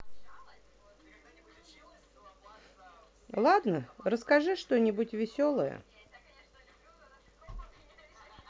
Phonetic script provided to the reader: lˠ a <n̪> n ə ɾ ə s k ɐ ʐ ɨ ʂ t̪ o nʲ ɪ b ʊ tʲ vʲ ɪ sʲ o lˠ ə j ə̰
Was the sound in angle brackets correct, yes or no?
no